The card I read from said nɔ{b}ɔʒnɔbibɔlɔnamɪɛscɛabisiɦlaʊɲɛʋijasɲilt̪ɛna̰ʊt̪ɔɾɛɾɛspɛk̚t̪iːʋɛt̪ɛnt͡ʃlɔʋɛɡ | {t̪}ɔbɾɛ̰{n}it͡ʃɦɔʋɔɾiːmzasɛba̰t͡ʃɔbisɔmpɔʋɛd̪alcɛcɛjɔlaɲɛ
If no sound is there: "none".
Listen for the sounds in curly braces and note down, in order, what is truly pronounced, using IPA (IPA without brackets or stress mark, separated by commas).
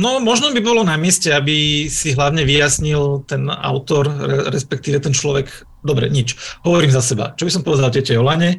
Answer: m, d̪, ɲ